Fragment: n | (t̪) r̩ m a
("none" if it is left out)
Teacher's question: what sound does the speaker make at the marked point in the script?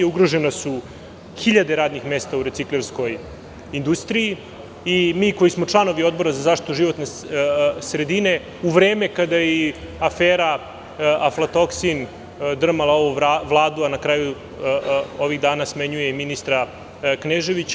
d̪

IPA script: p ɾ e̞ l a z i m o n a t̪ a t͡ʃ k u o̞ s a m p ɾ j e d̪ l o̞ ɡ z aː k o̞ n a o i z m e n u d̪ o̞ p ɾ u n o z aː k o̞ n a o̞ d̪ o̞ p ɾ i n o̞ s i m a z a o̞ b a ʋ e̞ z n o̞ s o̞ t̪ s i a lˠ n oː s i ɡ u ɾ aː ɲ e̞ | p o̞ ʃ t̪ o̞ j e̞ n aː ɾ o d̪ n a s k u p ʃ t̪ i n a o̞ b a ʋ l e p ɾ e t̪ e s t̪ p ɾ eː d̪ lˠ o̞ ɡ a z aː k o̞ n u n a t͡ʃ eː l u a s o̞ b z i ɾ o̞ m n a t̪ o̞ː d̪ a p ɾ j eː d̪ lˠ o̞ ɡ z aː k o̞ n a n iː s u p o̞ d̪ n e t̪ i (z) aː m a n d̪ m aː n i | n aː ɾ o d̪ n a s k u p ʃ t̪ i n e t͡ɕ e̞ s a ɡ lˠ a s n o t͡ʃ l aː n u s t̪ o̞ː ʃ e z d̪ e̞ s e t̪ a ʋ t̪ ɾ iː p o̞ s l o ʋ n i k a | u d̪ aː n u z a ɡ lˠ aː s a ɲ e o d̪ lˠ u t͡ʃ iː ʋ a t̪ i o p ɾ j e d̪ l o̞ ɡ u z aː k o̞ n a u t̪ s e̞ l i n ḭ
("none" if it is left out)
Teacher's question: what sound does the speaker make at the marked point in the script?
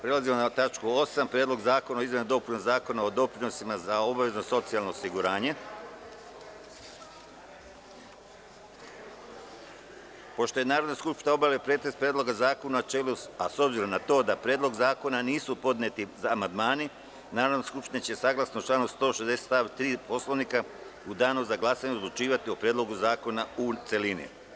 z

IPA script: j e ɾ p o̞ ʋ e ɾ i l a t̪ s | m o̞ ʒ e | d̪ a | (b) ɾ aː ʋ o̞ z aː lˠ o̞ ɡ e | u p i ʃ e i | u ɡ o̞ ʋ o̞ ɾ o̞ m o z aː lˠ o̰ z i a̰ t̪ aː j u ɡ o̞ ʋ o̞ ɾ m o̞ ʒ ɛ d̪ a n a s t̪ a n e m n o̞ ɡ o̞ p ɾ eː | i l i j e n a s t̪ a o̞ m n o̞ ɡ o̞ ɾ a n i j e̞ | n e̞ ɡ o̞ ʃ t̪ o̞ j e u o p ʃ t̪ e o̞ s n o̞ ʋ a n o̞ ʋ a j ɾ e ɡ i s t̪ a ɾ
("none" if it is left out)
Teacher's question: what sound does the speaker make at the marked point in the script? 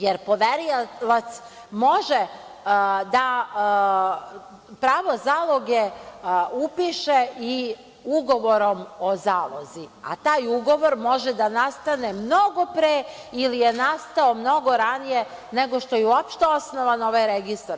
p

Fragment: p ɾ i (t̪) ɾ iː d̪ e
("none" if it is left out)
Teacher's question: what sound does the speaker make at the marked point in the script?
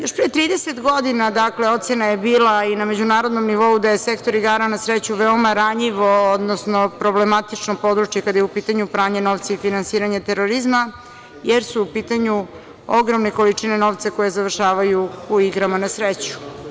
t̪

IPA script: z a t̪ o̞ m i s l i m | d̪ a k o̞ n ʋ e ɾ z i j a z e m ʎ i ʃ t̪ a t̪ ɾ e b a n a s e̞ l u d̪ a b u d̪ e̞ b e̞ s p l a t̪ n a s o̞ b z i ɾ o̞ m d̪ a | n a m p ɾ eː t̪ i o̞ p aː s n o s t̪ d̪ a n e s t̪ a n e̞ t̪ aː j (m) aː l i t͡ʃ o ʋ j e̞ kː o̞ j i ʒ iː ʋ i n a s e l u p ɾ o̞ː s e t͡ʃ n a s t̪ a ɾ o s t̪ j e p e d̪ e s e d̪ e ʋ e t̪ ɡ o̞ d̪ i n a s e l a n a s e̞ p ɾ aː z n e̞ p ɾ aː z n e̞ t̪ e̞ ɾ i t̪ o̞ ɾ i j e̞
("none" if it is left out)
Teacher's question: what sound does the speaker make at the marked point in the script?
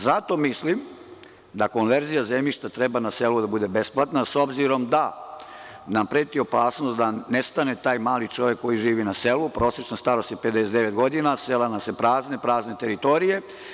m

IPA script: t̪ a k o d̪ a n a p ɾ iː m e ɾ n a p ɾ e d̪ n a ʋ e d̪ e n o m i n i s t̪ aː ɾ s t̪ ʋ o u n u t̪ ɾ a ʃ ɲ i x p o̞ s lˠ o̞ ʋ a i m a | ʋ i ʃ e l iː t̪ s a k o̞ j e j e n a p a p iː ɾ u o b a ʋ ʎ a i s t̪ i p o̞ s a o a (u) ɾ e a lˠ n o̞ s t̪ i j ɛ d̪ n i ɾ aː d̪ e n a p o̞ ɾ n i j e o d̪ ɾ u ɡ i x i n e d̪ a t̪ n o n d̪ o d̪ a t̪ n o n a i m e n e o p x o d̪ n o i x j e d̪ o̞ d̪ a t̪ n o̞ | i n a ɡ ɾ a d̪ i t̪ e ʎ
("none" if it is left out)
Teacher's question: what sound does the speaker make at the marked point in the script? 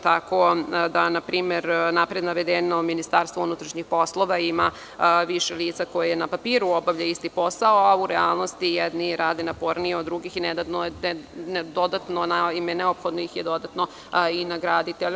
u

